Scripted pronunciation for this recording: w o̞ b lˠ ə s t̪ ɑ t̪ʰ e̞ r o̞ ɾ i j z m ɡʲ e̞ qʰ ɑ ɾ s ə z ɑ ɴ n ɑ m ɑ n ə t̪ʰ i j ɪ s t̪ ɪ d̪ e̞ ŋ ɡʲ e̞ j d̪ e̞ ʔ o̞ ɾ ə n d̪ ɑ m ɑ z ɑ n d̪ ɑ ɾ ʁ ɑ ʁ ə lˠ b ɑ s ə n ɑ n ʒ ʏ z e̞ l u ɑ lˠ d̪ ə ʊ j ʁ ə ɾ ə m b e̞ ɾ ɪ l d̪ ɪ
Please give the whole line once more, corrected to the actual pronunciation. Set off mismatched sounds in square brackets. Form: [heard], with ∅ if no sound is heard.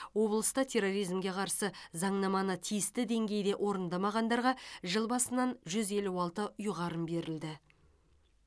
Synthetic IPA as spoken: w o̞ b lˠ ə s t̪ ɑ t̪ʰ e̞ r o̞ ɾ i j z m ɡʲ e̞ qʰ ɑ ɾ s ə z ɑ ɴ n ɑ m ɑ n ə t̪ʰ i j ɪ s t̪ ɪ d̪ e̞ ŋ ɡʲ e̞ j d̪ e̞ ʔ o̞ ɾ ə n d̪ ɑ m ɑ [ʁ] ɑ n d̪ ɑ ɾ ʁ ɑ [ʒ] ə lˠ b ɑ s ə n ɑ n ʒ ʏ z e̞ l u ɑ lˠ [t̪] ə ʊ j ʁ [ɑ] ɾ ə m b e̞ ɾ ɪ l d̪ ɪ